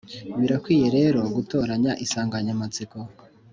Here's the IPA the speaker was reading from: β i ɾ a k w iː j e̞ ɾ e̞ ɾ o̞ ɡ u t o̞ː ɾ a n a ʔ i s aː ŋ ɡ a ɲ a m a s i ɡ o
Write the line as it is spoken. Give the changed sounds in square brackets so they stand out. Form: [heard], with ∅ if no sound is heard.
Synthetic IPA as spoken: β i ɾ a k w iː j e̞ ɾ e̞ ɾ o̞ ɡ u t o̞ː ɾ a [ɲ] a ʔ i s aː ŋ ɡ a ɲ a m a [t͡s] i [k] o